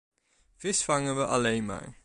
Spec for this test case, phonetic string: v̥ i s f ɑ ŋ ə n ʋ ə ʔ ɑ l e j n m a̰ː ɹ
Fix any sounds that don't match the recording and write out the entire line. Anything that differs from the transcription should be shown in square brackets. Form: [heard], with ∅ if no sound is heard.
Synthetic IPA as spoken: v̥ [ɪ] s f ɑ ŋ ə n ʋ ə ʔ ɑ l e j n m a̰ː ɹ